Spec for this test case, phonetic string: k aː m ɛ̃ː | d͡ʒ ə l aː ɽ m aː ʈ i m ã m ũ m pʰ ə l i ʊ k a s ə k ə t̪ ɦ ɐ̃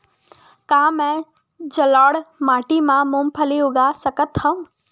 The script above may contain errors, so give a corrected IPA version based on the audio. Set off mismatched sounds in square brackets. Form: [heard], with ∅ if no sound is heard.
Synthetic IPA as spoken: k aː m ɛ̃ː | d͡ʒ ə l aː ɽ m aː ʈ i m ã m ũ m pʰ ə l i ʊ [ɡ] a s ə k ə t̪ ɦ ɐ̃